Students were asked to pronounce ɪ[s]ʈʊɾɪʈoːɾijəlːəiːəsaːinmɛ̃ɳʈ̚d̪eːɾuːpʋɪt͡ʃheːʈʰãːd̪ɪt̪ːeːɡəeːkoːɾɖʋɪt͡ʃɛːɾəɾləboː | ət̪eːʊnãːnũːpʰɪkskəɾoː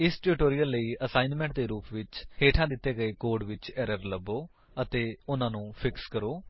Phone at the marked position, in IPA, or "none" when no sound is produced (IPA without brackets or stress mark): s